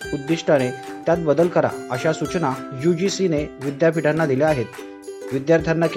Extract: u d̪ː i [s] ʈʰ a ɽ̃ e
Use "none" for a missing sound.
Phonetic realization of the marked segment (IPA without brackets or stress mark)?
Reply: ʂ